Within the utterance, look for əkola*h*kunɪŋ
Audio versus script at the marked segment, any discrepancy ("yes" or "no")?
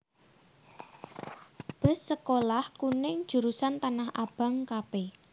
no